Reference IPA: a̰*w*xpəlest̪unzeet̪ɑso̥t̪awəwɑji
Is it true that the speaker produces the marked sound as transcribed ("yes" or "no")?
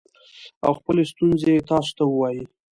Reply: yes